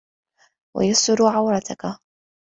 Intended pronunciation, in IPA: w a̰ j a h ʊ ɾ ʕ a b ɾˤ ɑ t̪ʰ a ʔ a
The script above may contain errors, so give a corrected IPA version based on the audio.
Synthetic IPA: w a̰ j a s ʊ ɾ ʕ a w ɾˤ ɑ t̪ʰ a k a